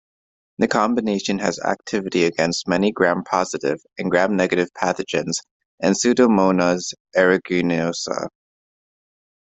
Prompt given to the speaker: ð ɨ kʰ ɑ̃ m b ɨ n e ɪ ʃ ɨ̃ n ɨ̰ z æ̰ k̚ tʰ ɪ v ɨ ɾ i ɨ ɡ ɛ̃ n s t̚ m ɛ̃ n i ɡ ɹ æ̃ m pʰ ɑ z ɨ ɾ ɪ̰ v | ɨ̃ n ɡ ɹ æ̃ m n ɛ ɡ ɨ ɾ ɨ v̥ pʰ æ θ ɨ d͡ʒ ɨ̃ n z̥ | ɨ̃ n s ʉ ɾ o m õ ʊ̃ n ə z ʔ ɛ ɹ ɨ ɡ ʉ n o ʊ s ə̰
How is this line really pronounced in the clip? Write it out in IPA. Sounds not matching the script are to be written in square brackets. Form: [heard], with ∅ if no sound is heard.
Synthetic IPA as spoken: ð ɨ kʰ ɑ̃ m b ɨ n e ɪ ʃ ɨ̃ n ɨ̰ z æ̰ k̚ tʰ ɪ v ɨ ɾ i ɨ ɡ ɛ̃ n s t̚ m [ɛ] n i ɡ ɹ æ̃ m pʰ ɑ z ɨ ɾ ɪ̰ v | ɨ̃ n ɡ ɹ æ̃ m n ɛ ɡ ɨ ɾ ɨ v̥ pʰ æ θ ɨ d͡ʒ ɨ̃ n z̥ | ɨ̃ n s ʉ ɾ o m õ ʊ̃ n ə z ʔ ɛ ɹ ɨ ɡ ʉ n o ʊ s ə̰